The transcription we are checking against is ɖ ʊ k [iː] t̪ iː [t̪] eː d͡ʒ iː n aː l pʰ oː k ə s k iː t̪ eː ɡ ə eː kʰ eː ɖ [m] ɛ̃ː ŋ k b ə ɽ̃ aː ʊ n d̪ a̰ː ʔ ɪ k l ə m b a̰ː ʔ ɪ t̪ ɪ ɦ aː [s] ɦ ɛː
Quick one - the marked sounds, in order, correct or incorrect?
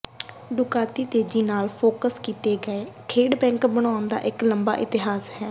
incorrect: aː, correct, incorrect: b, correct

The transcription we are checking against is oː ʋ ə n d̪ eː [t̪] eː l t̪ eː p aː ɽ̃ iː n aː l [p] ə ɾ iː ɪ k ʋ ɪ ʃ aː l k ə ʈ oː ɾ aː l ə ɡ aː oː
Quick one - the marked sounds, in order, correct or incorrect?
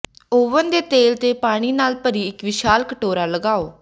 correct, correct

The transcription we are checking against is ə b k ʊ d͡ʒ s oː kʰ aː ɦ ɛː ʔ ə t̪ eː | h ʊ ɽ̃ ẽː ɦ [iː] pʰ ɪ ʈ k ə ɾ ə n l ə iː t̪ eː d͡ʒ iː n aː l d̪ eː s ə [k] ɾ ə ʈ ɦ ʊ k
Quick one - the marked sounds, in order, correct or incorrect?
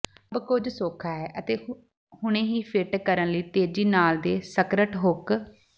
correct, correct

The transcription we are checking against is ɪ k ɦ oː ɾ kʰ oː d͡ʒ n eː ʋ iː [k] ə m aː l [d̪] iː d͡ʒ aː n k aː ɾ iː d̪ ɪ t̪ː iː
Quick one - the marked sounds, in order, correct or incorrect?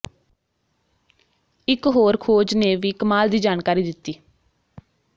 correct, correct

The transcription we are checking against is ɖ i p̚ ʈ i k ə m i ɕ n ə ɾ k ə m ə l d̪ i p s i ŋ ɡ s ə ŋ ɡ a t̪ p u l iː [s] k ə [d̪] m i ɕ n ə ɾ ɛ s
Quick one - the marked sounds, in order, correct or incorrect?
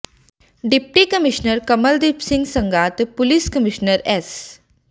correct, incorrect: none

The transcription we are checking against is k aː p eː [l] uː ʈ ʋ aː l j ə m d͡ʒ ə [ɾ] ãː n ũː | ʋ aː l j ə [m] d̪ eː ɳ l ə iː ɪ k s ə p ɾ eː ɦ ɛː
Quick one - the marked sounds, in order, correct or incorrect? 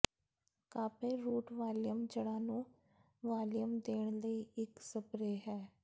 incorrect: ɾ, incorrect: ɽ, correct

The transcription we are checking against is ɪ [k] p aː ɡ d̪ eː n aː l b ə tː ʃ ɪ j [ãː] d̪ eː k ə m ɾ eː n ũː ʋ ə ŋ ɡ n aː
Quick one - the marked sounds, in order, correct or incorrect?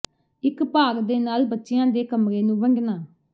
correct, correct

